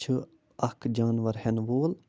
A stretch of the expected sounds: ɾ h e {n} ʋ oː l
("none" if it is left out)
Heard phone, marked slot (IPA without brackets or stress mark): n